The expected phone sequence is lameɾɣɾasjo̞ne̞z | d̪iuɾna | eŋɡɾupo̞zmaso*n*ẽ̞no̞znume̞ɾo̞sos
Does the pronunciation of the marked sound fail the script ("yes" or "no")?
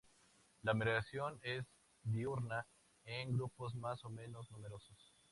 yes